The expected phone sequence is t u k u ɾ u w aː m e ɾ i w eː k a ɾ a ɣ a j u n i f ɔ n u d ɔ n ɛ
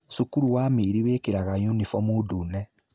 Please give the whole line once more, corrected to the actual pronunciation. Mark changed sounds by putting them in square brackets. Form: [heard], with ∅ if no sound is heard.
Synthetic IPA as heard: [s] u k u ɾ u w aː m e ɾ i w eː k [e] ɾ a ɣ a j u n i f ɔ [m] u d [u] n ɛ